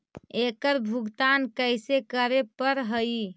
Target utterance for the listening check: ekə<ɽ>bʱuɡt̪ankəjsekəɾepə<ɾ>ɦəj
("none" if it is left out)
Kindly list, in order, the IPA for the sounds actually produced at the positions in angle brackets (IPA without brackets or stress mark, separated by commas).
ɾ, ɾ